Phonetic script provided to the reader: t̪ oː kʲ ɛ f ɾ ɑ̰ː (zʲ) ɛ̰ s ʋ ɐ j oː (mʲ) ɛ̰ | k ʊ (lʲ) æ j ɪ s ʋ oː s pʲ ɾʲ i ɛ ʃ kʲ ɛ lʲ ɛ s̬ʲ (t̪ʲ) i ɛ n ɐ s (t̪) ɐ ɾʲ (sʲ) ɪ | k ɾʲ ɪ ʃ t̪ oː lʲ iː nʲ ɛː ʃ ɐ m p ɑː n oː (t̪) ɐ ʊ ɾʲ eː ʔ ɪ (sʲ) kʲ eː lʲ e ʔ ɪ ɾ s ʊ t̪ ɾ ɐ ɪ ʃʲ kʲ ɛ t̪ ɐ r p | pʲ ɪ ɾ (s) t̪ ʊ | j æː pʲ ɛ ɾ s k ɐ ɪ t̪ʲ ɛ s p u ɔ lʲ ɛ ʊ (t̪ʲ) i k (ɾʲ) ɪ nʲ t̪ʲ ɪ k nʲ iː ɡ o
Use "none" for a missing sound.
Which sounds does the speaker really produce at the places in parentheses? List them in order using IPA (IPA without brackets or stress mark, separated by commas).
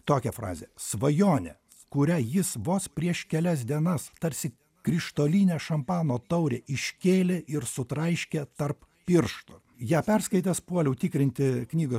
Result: zʲ, nʲ, ɾʲ, d̪ʲ, t̪, sʲ, t̪, ʃʲ, ʃ, t̪ʲ, ɾʲ